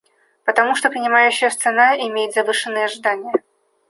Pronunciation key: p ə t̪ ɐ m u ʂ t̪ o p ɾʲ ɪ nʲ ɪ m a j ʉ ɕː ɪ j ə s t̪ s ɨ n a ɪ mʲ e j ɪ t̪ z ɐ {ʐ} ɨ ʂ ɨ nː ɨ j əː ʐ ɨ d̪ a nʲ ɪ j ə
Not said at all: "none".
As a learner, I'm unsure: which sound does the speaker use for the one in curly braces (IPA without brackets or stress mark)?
v